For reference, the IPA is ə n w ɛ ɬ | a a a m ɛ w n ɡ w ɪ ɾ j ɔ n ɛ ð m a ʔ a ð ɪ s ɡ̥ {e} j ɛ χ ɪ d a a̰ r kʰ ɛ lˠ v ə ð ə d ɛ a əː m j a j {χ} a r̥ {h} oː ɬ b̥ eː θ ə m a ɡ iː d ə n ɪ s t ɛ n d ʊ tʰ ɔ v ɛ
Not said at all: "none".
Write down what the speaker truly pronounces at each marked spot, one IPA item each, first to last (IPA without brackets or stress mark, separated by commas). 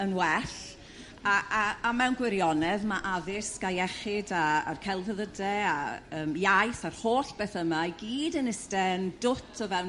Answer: a, θ, h